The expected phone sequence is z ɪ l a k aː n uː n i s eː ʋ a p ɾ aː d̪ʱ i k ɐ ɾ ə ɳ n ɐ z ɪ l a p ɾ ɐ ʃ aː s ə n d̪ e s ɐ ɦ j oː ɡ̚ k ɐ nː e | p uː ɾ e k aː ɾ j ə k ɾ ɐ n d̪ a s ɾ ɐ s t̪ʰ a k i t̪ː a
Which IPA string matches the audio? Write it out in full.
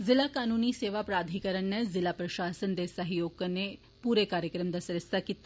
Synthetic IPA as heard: z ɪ l a k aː n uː n i s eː ʋ a p ɾ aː d̪ʱ i k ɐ ɾ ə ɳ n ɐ z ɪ l a p ɾ ɐ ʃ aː s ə n d̪ e s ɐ ɦ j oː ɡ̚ k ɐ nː e | p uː ɾ e k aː ɾ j ə k ɾ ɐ m d̪ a s ɾ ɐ s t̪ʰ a k i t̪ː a